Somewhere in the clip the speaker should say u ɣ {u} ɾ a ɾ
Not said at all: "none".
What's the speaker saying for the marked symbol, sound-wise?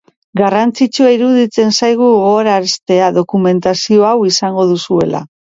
o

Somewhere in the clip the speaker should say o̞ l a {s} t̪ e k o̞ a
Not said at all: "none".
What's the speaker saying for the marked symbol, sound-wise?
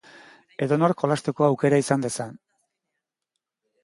s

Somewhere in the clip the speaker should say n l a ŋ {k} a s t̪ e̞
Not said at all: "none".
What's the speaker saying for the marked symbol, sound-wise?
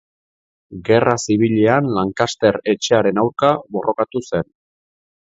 k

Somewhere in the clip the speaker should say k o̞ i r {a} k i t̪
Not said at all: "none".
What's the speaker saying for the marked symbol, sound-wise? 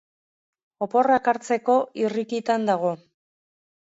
i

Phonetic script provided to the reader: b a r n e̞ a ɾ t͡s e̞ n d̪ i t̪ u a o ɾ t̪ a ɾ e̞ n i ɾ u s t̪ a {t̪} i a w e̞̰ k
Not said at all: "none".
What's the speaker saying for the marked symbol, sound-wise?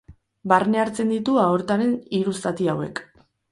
t̪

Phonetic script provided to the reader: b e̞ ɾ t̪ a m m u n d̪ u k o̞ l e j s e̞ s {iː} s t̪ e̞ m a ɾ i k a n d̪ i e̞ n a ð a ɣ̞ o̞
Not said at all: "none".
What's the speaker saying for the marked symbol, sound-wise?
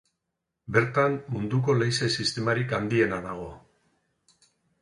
i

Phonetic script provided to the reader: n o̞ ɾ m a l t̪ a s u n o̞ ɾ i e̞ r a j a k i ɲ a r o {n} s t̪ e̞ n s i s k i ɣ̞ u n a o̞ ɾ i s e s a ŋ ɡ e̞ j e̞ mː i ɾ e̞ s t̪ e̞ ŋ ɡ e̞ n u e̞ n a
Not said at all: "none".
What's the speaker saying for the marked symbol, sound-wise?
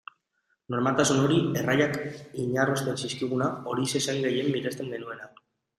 none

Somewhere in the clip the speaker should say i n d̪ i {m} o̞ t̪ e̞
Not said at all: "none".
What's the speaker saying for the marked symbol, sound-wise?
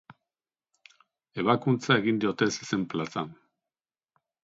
none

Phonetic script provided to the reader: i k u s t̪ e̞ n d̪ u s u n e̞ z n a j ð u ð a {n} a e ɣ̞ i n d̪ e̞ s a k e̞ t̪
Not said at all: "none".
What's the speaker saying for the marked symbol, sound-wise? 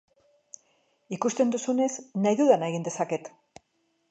n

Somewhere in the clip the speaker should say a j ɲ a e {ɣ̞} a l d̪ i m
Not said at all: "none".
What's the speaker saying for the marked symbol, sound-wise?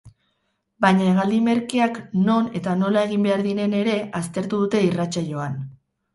ɣ̞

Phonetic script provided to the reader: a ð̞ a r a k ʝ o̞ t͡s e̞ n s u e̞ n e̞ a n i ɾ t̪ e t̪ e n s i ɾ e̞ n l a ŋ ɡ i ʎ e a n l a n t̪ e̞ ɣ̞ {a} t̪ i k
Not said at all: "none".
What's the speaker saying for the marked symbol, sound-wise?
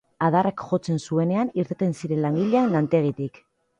i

